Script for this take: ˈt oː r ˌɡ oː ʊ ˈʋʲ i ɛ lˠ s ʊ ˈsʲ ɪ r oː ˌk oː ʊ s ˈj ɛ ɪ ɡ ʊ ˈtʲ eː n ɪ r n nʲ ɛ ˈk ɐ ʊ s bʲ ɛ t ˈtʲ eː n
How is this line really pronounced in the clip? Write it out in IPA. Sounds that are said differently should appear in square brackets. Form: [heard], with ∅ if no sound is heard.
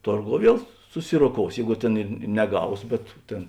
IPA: ˈt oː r ˌɡ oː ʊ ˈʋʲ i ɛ lˠ s ʊ ˈsʲ ɪ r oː ˌk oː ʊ s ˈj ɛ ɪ ɡ ʊ ˈtʲ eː n ɪ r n nʲ ɛ [ˈɡ] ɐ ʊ s bʲ ɛ t ˈtʲ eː n